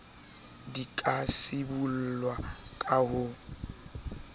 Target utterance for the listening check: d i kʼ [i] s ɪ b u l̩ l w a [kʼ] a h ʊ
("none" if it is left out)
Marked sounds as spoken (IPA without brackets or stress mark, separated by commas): a, kʼ